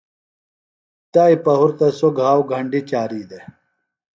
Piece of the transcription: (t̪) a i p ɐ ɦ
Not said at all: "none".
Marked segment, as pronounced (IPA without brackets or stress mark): t̪